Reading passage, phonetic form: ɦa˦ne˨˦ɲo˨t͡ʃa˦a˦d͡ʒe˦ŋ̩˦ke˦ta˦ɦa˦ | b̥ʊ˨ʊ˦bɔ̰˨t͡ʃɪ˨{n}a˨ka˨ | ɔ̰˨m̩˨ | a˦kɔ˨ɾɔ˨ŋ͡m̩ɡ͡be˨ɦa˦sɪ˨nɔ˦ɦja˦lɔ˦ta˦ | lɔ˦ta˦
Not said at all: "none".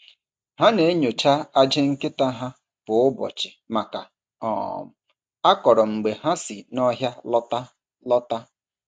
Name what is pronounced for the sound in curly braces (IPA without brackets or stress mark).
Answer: m